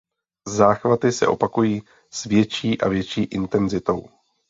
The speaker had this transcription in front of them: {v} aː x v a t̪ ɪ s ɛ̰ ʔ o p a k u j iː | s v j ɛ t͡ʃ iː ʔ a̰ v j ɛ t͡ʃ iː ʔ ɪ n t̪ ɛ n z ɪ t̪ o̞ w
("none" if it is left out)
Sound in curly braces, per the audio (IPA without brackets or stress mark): z